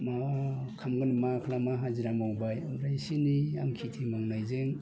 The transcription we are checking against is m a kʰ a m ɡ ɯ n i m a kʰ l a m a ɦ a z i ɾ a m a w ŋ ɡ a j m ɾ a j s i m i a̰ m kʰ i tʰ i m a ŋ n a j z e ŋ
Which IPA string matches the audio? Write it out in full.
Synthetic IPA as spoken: m a kʰ a m ɡ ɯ n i m a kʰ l a m a ɦ a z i ɾ a m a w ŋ b a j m ɾ a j s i n i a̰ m kʰ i tʰ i m a ŋ n a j z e ŋ